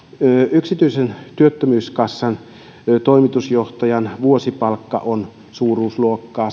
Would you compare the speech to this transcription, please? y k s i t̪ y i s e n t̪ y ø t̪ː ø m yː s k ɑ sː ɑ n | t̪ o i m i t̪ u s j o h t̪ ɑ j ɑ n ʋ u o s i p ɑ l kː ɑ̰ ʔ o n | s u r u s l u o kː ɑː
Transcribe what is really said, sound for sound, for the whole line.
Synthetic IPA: y k s i t̪ y i s e n t̪ y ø t̪ː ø m yː s k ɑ sː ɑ n | t̪ o i m i t̪ u s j o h t̪ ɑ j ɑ n ʋ u o s i p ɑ l kː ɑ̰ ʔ o n | s uː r uː s l u o kː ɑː

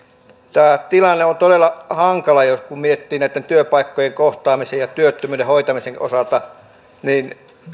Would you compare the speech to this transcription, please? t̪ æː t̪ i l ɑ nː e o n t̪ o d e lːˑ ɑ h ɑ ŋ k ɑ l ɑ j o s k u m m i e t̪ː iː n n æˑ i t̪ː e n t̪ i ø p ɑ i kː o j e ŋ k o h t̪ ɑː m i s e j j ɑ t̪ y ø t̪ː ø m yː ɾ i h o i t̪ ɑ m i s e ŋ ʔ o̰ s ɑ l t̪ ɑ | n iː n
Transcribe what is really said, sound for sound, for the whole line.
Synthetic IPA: t̪ æː t̪ i l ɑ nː e o n t̪ o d e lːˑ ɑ h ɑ ŋ k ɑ l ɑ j o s k u m m i e t̪ː iː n n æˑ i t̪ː e n t̪ y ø p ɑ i kː o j e ŋ k o h t̪ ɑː m i s e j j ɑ t̪ y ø t̪ː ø m yː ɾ e h o i t̪ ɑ m i s e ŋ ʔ o̰ s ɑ l t̪ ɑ | n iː n

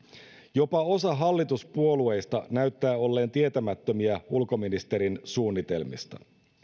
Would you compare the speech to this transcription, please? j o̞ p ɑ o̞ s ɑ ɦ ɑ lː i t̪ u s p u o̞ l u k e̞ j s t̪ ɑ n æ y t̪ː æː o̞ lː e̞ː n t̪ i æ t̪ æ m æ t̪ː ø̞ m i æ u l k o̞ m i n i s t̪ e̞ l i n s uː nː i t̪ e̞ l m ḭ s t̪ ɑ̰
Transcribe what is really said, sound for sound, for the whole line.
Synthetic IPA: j o̞ p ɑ o̞ s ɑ ɦ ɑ lː i t̪ u s p u o̞ l u e̞ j s t̪ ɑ n æ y t̪ː æː o̞ lː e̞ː n t̪ i e t̪ æ m æ t̪ː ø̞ m i æ u l k o̞ m i n i s t̪ e̞ ɾ i n s uː nː i t̪ e̞ l m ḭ s t̪ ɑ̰

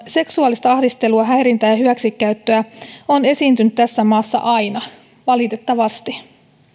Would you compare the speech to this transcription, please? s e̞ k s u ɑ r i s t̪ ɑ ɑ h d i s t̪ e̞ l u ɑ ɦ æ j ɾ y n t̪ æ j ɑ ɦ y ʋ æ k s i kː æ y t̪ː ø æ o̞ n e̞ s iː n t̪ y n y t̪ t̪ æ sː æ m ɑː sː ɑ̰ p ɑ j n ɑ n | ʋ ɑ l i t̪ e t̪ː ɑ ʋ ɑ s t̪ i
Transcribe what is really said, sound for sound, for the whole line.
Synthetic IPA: s e̞ k s u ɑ l i s t̪ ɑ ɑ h d i s t̪ e̞ l u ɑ ɦ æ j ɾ i n t̪ æ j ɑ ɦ y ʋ æ k s i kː æ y t̪ː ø æ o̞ n e̞ s iː n t̪ y n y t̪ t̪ æ sː æ m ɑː sː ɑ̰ ʔ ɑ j n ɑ | ʋ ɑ l i t̪ e t̪ː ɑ ʋ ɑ s t̪ i

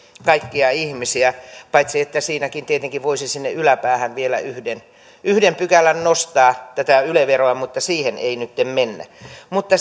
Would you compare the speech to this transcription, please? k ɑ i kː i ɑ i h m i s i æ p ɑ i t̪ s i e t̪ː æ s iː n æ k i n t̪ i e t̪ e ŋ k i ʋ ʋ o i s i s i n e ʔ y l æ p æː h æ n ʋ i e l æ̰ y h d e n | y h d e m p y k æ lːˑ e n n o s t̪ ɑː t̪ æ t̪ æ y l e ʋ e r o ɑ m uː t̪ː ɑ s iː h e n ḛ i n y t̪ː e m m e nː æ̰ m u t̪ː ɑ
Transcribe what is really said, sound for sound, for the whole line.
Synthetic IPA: k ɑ i kː i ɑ i h m i s i æ p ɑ i t̪ s i e t̪ː æ s iː n æ k i n t̪ i e t̪ e ŋ k i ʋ ʋ o i s i s i nː e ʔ y l æ p æː h æ n ʋ i e l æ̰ y h d e n | y h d e m p y k æ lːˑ æ n n o s t̪ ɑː t̪ æ t̪ æ y l e ʋ e r o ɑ m u t̪ː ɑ s iː h e n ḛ i n y t̪ː e m m e nː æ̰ m u t̪ː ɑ

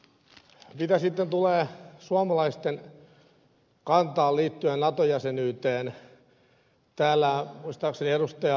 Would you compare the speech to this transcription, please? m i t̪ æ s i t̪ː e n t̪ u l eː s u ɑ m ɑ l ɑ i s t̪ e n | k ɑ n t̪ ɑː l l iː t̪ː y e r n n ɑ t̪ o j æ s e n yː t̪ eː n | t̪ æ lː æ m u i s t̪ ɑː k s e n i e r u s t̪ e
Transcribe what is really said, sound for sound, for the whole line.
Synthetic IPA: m i t̪ æ s i t̪ː e n t̪ u l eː s u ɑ m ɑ l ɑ i s t̪ e n | k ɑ n t̪ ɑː l l iː t̪ː y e n n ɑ t̪ o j æ s e n yː t̪ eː n | t̪ æː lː æ m u i s t̪ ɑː k s e n i e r u s t̪ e

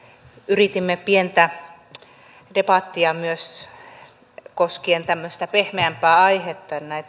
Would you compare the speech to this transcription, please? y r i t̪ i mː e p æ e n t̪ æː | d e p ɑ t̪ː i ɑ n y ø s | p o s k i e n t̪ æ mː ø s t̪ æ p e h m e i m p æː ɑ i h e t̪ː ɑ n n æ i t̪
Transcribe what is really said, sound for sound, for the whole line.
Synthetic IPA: y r i t̪ i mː e p i e n t̪ æ | d e p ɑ t̪ː i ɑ m y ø s | k o s k i e n t̪ æ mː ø s t̪ æ p e h m e æ m p æː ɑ i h e t̪ː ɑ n n æ i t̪

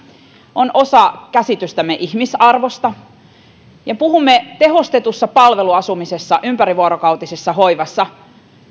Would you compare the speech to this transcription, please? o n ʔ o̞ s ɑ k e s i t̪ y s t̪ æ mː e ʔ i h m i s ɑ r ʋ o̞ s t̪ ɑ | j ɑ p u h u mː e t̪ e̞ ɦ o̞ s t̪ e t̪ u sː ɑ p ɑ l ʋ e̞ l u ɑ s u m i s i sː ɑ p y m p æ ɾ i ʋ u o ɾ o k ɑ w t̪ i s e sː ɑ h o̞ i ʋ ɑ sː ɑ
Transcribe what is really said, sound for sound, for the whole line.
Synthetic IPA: o n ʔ o̞ s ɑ k æ s i t̪ y s t̪ æ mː e ʔ i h m i s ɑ r ʋ o̞ s t̪ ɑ | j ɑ p u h u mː e t̪ e̞ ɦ o̞ s t̪ e t̪ u sː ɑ p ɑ l ʋ e̞ l u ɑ s u m i s e sː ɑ ʔ y m p æ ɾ i ʋ u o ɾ o k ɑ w t̪ i s e sː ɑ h o̞ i ʋ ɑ sː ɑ

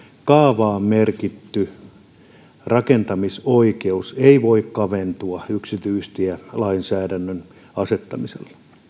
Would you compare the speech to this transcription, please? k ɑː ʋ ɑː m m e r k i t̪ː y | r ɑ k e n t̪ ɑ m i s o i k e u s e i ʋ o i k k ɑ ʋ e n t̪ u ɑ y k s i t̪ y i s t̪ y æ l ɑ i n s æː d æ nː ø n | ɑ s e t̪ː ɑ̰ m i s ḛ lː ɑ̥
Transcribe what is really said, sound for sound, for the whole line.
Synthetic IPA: k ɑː ʋ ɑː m m e r k i t̪ː y | r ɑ k e n t̪ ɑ m i s o i k e u s e i ʋ o i k k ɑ ʋ e n t̪ u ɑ y k s i t̪ y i s t̪ i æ l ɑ i n s æː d æ nː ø n | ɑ s e t̪ː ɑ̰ m i s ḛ lː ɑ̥

